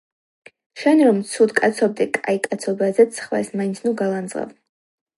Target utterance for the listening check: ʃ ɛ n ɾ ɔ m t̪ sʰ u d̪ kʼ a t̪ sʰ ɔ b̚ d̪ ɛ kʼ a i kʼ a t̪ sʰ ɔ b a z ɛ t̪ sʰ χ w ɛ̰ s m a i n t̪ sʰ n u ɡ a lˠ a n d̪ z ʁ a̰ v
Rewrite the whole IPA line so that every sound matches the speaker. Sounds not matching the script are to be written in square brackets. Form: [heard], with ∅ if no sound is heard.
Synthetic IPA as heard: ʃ ɛ n ɾ ɔ m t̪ sʰ u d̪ kʼ a t̪ sʰ ɔ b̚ d̪ ɛ kʼ a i kʼ a t̪ sʰ ɔ b a z ɛ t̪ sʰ χ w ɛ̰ s m a i n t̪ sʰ n u ɡ a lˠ a n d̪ z ʁ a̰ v